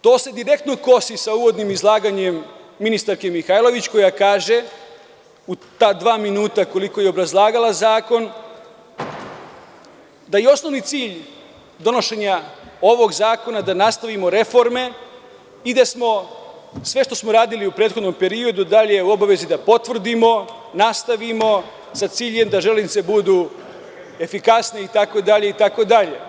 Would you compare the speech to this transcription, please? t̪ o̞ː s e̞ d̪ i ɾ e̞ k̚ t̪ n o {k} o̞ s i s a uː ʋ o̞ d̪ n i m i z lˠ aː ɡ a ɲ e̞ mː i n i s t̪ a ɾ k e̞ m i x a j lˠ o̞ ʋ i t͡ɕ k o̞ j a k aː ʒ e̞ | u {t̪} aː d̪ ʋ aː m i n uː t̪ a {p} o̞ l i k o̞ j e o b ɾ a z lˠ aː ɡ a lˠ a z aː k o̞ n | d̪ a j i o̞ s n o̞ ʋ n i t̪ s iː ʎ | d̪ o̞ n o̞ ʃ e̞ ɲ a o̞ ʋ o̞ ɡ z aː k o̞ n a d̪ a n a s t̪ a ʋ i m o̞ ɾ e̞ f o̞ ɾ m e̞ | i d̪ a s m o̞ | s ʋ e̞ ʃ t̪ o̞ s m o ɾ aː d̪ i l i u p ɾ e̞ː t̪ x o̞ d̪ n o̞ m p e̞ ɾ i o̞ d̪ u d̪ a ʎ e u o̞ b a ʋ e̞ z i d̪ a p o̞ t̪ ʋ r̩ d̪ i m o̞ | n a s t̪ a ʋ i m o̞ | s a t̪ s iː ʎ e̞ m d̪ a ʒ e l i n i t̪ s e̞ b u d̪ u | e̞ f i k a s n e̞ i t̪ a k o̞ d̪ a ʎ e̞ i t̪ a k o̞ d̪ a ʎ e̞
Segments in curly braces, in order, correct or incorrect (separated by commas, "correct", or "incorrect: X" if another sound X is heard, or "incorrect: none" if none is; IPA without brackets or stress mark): correct, correct, incorrect: k